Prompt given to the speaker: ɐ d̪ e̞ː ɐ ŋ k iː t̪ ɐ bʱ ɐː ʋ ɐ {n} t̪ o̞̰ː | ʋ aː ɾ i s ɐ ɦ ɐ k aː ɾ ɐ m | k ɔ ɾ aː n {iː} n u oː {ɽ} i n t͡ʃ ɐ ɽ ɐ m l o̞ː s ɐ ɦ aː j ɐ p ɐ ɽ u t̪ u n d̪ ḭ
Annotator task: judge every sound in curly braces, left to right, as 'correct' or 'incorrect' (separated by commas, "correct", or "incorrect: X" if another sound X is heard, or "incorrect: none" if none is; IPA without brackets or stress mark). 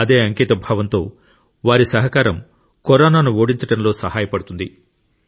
correct, incorrect: aː, correct